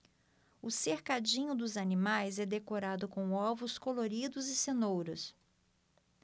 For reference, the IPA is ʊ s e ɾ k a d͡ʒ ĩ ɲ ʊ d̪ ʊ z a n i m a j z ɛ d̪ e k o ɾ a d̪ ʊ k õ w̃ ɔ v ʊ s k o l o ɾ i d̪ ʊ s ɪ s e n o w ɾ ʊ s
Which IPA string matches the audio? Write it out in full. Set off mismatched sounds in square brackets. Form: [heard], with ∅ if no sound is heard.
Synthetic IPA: ʊ s e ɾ k a d͡ʒ ĩ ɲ ʊ d̪ ʊ z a n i m a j z ɛ d̪ e k o ɾ a d̪ ʊ k õ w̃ ɔ v ʊ s k o l o ɾ i d̪ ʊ [z] ɪ s e n o w ɾ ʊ s